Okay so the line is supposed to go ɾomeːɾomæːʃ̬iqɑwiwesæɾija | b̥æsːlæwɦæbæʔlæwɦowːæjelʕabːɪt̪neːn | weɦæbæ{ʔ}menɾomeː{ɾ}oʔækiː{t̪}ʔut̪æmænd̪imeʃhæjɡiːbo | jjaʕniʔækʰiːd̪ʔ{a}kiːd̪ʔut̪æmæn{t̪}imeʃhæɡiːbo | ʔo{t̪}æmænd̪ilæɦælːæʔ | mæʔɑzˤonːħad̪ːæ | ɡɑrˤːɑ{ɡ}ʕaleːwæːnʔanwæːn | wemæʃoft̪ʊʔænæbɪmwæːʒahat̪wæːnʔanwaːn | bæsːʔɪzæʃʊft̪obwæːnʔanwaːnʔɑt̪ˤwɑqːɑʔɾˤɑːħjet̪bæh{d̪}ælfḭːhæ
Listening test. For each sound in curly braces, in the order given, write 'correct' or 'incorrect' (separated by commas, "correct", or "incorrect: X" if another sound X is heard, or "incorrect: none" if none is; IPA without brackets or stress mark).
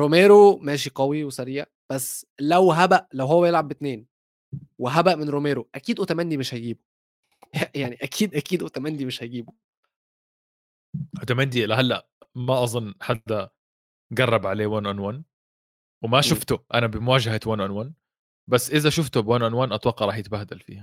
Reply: correct, correct, incorrect: d̪, incorrect: æ, incorrect: d̪, correct, incorrect: b, correct